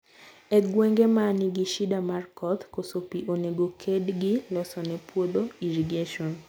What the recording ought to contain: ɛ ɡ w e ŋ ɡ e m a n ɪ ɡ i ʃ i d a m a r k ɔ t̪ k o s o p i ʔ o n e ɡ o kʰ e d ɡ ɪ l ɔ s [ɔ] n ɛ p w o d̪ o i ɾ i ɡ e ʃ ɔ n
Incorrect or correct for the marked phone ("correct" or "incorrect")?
correct